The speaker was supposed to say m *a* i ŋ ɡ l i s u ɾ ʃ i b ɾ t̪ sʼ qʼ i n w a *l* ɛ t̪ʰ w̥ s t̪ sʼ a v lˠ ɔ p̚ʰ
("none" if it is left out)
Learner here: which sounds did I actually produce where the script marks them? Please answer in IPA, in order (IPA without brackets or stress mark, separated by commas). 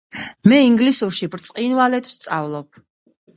ɛ, l